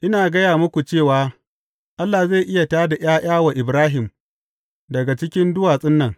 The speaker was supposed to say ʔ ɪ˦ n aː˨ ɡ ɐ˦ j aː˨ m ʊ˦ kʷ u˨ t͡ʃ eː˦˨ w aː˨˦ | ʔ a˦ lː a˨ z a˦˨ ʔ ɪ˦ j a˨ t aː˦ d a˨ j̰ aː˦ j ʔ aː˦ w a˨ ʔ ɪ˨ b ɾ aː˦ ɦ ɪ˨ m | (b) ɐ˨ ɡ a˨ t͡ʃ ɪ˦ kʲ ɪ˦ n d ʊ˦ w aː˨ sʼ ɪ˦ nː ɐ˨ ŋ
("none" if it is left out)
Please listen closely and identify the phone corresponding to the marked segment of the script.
d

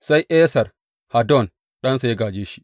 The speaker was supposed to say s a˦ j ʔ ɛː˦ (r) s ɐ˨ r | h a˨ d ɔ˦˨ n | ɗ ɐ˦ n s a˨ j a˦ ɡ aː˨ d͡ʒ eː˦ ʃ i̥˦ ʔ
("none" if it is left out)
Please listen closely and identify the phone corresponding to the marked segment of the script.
none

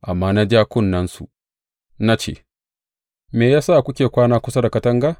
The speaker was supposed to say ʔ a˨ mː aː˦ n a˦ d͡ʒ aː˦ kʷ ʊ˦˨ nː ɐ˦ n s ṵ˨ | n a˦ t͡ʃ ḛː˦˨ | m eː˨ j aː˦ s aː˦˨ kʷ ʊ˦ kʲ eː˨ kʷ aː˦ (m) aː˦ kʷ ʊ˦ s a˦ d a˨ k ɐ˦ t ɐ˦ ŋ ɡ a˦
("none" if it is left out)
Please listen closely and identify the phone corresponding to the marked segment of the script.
n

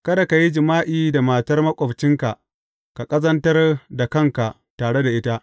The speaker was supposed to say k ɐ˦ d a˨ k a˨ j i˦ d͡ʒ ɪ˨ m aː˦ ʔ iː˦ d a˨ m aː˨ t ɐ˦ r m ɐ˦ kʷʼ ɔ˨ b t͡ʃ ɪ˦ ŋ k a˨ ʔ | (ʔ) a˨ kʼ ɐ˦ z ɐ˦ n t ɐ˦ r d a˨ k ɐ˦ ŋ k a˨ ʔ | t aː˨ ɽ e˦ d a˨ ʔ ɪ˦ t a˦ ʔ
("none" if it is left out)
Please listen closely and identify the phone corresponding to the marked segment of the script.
k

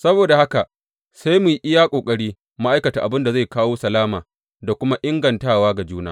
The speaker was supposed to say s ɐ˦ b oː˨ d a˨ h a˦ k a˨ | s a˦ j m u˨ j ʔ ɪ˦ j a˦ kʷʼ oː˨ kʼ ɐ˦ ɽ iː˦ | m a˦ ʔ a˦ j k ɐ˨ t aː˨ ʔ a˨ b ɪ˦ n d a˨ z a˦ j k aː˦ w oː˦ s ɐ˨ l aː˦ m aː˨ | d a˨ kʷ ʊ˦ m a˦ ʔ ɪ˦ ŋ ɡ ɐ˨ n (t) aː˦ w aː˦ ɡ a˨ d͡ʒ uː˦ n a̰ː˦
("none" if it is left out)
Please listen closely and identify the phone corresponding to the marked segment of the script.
t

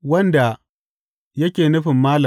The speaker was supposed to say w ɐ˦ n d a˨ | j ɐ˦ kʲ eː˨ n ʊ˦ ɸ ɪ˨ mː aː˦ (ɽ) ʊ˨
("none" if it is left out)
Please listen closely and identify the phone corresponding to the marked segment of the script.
l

